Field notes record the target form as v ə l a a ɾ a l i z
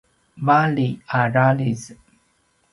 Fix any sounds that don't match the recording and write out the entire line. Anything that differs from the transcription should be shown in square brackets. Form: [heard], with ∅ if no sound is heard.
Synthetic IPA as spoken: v [a] l [i] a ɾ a l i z